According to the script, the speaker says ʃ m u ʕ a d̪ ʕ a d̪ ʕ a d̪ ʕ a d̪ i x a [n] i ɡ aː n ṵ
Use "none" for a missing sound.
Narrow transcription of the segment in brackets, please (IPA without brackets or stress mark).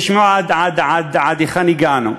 n